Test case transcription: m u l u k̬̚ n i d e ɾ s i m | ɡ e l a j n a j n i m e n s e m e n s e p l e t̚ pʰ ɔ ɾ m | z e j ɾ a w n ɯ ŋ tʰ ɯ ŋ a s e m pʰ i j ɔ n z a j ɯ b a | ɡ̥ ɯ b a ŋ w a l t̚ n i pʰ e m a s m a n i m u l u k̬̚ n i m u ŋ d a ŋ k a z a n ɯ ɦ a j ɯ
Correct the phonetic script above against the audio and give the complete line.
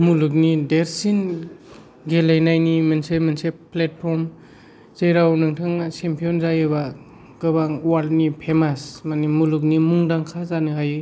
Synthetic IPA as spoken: m u l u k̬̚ n i d e ɾ s i n | ɡ e l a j n a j n i m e n s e m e n s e p l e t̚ pʰ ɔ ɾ m | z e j ɾ a w n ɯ ŋ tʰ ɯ ŋ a s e m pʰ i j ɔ n z a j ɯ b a | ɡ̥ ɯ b a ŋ w a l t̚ n i pʰ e m a s m a n i m u l u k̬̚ n i m u ŋ d a ŋ kʰ a z a n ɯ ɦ a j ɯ

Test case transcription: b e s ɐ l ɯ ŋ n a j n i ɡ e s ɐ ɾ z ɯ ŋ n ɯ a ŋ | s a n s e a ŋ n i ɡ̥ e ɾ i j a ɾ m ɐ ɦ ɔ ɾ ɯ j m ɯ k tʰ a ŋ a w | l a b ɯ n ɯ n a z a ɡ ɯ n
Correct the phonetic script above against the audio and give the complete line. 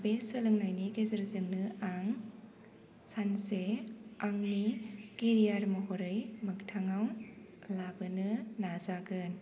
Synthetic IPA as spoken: b e s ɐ l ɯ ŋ n a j n i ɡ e z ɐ ɾ z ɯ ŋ n ɯ a ŋ | s a n s e a ŋ n i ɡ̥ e ɾ i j a ɾ m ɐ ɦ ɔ ɾ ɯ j m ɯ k tʰ a ŋ a w | l a b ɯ n ɯ n a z a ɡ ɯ n

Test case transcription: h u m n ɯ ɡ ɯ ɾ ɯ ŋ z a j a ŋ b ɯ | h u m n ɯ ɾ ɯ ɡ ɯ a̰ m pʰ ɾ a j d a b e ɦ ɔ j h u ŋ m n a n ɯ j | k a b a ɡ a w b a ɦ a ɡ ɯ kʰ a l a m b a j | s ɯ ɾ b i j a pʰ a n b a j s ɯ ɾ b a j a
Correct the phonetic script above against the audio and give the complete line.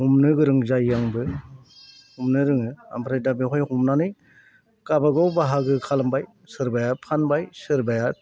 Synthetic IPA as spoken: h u m n ɯ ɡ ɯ ɾ ɯ ŋ z a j a ŋ b ɯ | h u m n ɯ ɾ ɯ ŋ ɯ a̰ m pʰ ɾ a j d a b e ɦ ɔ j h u m n a n ɯ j | k a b a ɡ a w b a ɦ a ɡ ɯ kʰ a l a m b a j | s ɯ ɾ b a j a pʰ a n b a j s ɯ ɾ b a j a

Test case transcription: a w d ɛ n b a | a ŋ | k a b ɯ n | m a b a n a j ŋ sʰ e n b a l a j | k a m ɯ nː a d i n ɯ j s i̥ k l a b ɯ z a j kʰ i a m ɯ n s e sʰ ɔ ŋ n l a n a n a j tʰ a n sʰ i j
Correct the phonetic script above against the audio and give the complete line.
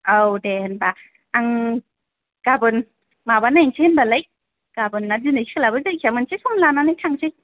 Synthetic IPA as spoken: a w d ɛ n b a | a ŋ | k a b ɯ n | m a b a n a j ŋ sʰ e n b a l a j | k a b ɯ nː a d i n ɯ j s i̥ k l a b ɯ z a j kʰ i a m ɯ n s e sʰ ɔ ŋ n l a n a n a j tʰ a ŋ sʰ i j

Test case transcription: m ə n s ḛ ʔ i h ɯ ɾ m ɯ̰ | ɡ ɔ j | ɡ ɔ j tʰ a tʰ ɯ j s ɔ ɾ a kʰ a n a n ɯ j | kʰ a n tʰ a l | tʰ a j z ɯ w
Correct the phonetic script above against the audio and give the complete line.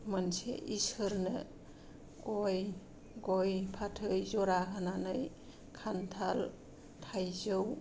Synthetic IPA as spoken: m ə n s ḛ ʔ i s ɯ ɾ n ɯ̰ | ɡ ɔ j | ɡ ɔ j pʰ a tʰ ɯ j z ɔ ɾ a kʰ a n a n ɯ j | kʰ a n tʰ a l | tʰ a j z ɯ w

